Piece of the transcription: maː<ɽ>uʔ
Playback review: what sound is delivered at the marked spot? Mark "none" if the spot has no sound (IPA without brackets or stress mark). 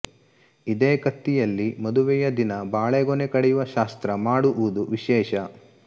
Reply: ɽ